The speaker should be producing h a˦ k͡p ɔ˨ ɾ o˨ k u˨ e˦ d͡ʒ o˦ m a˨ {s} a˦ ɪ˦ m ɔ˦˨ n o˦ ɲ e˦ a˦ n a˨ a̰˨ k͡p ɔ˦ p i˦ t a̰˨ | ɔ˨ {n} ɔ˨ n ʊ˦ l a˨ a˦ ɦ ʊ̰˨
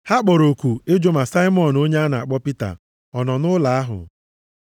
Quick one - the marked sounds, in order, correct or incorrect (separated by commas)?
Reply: correct, correct